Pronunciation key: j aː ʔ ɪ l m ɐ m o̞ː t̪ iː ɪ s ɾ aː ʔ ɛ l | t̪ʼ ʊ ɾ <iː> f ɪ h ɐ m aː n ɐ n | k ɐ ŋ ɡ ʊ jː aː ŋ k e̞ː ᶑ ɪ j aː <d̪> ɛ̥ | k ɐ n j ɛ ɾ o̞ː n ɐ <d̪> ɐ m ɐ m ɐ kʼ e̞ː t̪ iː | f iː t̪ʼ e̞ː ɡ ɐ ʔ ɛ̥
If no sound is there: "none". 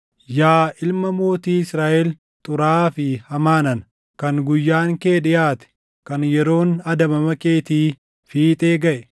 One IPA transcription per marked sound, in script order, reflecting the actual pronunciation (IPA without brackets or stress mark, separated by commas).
aː, t̪, d̪